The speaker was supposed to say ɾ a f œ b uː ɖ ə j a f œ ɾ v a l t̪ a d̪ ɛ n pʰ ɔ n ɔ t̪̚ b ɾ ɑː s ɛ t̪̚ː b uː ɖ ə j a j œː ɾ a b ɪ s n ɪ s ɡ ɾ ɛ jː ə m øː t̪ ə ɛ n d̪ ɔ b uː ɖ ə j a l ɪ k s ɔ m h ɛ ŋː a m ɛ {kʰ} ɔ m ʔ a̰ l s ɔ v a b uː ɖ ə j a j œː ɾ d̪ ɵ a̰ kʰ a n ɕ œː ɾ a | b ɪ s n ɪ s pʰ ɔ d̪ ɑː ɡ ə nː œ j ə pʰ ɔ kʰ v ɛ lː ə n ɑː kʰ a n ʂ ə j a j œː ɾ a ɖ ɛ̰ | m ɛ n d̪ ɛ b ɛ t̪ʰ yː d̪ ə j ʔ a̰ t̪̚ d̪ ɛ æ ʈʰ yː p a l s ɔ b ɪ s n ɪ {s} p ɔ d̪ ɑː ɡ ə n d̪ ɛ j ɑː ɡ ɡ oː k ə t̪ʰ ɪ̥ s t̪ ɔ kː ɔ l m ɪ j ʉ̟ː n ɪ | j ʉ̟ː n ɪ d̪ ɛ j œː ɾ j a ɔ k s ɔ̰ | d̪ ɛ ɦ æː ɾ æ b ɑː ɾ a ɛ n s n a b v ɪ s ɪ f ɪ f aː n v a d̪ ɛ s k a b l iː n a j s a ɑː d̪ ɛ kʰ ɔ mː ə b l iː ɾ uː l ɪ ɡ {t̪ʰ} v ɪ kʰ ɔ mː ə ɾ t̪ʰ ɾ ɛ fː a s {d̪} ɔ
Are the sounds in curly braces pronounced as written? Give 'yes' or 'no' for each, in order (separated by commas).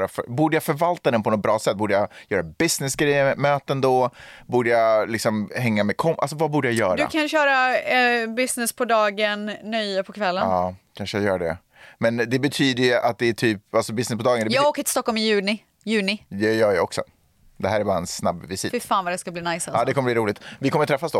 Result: yes, yes, no, yes